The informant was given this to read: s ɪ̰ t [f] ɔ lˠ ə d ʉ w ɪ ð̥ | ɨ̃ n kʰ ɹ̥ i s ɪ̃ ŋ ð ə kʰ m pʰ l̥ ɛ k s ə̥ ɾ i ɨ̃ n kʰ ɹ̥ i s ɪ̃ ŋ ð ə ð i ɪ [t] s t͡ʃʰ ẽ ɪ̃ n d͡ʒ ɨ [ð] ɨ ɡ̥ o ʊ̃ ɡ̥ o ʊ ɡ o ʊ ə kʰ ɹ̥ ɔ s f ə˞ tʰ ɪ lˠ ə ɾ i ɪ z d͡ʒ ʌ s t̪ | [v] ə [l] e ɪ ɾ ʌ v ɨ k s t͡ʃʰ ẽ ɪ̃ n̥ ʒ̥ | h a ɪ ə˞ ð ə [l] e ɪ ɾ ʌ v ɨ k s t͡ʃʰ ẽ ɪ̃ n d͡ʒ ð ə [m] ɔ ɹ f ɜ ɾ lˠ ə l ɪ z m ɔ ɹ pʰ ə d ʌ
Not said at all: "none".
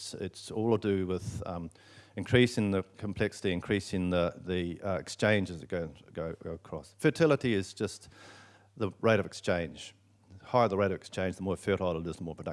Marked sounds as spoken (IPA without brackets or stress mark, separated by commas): s, k, z, ð, ɹ, ɹ, m